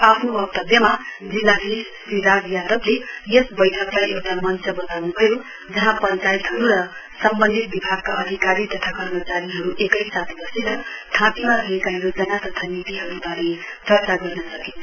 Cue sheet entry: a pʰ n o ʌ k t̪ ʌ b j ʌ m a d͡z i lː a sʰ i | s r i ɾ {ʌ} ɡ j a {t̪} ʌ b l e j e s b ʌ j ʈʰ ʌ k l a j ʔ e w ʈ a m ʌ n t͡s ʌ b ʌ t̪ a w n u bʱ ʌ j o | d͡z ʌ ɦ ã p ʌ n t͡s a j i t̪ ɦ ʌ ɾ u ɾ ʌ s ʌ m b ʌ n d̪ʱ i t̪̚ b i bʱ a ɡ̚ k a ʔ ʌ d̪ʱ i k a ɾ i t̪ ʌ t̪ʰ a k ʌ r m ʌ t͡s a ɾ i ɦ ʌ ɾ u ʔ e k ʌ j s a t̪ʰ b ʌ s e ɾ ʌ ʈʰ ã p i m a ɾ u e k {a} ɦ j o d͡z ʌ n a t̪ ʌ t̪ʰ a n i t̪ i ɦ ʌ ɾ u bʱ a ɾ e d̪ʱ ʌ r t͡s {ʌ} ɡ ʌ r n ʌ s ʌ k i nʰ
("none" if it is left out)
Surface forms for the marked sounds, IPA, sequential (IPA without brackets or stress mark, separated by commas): a, d̪, a, a